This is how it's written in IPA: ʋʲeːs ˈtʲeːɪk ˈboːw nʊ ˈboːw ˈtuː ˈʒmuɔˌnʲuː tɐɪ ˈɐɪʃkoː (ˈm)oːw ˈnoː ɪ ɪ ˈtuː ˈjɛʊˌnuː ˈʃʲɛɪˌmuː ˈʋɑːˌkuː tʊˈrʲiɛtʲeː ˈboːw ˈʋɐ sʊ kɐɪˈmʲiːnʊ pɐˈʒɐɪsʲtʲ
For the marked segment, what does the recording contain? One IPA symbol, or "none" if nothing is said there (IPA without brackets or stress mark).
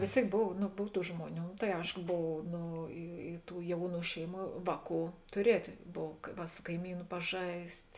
b